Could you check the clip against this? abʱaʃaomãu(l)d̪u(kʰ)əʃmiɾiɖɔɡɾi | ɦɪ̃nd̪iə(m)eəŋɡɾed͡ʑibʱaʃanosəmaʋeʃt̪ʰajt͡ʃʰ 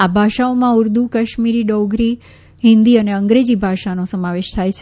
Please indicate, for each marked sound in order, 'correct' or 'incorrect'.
incorrect, incorrect, incorrect

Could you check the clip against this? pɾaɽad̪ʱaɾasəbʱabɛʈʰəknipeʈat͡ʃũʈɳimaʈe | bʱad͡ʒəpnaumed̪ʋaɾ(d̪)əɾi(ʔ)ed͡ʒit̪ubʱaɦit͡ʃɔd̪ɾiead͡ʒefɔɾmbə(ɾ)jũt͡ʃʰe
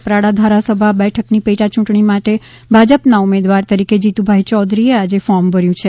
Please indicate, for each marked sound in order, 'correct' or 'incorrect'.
incorrect, incorrect, correct

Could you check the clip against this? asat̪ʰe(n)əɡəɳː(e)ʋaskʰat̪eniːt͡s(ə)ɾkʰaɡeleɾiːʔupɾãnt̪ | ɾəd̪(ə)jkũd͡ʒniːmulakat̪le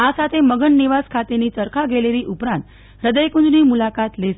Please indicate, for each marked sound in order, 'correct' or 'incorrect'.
incorrect, incorrect, correct, correct

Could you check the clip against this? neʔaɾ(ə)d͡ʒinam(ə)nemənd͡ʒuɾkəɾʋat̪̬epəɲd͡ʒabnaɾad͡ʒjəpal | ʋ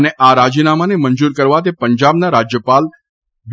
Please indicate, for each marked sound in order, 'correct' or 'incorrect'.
incorrect, incorrect

